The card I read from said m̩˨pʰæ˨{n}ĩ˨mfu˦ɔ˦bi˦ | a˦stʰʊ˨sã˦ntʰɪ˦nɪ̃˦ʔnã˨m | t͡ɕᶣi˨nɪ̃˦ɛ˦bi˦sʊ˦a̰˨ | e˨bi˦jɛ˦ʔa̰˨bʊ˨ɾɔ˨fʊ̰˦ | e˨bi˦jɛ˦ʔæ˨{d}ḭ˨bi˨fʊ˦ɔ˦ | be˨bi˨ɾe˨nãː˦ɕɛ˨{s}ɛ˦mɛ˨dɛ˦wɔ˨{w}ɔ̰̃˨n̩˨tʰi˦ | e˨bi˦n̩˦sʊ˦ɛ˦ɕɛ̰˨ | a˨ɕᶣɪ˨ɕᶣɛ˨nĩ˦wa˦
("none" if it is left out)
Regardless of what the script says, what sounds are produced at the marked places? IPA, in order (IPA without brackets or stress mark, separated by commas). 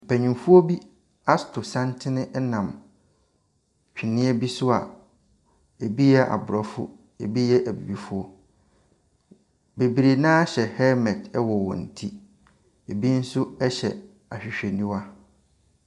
ɲ, b, h, w